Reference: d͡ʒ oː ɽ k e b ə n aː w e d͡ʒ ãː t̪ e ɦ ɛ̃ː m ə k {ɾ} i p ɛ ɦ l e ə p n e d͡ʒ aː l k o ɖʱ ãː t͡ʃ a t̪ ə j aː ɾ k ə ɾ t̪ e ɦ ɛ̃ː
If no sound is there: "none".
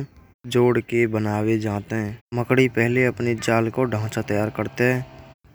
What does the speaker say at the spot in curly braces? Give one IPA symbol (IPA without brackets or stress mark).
ɽ